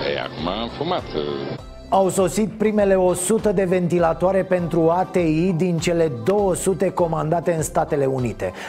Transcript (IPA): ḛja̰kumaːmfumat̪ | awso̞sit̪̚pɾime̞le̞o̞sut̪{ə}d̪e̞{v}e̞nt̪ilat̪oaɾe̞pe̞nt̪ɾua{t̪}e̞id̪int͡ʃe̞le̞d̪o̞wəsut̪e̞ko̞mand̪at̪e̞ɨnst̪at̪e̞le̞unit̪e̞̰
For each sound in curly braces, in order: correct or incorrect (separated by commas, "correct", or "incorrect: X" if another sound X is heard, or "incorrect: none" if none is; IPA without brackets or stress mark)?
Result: correct, correct, correct